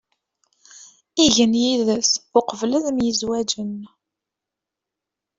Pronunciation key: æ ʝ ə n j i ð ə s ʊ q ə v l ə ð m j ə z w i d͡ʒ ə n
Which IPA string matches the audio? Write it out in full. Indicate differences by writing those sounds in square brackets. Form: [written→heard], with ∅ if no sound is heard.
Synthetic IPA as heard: [æ→i] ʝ ə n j i ð ə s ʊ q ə v l ə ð m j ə z w [i→æ] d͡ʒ ə n